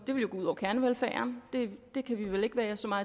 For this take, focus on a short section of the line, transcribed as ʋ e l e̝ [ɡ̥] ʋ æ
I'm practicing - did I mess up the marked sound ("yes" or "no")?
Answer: no